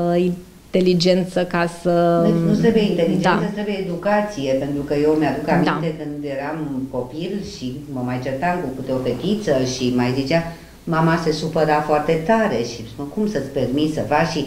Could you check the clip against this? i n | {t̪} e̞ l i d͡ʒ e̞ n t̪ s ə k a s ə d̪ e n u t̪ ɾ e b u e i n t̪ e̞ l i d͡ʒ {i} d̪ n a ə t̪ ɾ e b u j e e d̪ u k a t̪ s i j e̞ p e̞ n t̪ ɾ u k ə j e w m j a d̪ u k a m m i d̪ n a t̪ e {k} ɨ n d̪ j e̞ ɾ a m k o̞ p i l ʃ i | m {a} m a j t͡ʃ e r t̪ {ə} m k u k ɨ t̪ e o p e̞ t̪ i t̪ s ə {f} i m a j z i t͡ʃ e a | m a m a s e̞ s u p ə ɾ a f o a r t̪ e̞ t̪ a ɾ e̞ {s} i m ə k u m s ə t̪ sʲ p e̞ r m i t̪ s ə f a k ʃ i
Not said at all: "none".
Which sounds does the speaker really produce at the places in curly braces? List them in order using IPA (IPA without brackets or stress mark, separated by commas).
t̪, e, k, ə, a, ʃ, ʃ